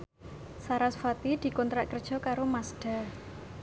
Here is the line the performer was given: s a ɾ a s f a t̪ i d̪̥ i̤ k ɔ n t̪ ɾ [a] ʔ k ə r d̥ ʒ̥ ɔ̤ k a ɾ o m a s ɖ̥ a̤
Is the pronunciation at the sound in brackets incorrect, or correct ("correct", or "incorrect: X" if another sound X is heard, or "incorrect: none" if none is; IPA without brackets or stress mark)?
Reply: correct